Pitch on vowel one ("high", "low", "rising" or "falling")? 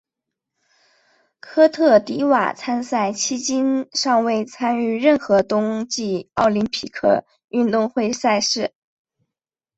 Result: high